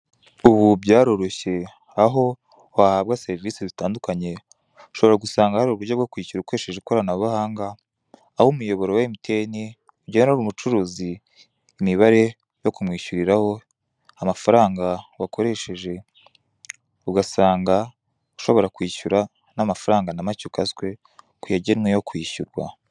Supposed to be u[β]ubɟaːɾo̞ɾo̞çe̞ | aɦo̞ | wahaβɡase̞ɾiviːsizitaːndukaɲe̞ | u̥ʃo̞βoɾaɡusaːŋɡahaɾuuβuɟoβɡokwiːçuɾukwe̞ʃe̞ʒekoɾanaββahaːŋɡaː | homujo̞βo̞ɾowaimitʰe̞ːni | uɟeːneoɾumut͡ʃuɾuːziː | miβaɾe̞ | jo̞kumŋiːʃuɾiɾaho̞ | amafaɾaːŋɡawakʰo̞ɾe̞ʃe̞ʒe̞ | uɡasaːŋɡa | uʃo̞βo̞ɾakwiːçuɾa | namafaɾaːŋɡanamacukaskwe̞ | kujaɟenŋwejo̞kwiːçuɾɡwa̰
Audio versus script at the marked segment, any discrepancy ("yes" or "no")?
no